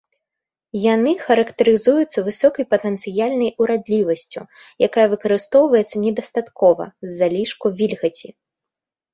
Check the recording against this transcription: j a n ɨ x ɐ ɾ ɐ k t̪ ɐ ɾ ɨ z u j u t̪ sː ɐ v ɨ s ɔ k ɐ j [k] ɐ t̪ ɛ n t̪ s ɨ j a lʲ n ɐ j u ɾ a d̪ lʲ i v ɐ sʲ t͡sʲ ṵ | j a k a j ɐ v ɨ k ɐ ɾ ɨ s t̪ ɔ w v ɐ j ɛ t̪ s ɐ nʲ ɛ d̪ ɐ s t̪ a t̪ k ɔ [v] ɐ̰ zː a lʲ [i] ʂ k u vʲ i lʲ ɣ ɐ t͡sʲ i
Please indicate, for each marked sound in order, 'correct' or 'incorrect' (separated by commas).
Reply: incorrect, correct, correct